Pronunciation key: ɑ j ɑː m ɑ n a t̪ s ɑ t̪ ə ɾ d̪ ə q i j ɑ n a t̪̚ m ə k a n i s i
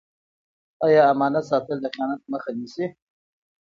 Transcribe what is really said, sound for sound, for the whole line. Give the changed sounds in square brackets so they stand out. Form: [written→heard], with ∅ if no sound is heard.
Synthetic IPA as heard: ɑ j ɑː m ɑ n a t̪ s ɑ t̪ ə [ɾ→l] d̪ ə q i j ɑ n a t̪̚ m ə [k→x] a n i s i